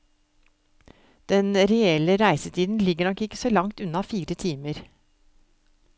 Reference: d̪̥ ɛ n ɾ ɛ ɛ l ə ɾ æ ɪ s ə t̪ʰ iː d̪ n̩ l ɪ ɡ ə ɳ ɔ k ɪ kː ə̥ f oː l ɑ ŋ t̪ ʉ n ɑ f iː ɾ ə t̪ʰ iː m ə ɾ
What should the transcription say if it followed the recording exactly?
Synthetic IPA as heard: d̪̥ ɛ n ɾ ɛ ɛ l ə ɾ æ ɪ s ə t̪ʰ iː d̪ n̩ l ɪ ɡ ə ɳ ɔ k ɪ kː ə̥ s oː l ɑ ŋ t̪ ʉ n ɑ f iː ɾ ə t̪ʰ iː m ə ɾ